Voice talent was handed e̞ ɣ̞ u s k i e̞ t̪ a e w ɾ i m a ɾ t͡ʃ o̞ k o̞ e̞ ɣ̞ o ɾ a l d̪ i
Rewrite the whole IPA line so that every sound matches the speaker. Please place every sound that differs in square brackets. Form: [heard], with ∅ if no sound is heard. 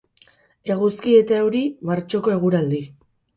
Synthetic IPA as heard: e̞ ɣ̞ u s k i e̞ t̪ a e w ɾ i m a ɾ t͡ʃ o̞ k o̞ e̞ ɣ̞ [u] ɾ a l d̪ i